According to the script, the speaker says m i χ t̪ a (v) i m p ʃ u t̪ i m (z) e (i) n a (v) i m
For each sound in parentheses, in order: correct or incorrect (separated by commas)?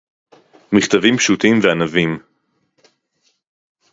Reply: correct, incorrect, incorrect, correct